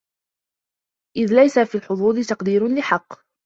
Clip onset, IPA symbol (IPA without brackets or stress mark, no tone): ʔ